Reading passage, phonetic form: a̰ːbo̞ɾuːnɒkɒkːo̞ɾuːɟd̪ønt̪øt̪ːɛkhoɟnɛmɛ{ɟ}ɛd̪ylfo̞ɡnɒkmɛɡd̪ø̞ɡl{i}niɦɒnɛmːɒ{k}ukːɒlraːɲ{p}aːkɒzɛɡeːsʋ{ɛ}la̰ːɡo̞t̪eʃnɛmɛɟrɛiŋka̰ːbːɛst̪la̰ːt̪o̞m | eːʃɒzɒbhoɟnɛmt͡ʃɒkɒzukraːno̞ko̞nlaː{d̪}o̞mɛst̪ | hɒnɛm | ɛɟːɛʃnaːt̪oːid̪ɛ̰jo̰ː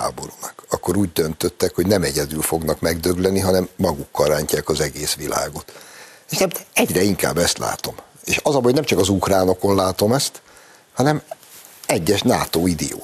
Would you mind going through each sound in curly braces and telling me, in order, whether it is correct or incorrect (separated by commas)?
correct, incorrect, incorrect, incorrect, incorrect, incorrect